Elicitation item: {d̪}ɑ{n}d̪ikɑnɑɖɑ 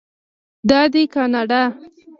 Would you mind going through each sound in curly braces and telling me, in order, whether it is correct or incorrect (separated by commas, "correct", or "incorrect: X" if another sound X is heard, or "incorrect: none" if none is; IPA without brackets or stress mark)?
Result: correct, incorrect: none